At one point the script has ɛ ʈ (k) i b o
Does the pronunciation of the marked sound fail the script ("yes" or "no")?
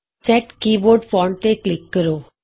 no